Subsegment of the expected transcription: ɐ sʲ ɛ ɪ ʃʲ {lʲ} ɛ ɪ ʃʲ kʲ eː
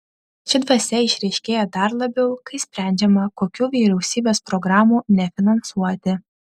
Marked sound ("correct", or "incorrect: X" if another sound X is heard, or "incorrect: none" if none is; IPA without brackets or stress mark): incorrect: ɾʲ